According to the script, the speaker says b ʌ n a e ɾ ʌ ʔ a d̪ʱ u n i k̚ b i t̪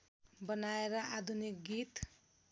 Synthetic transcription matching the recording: b ʌ n a e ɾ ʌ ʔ a d̪ʱ u n i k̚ ɡ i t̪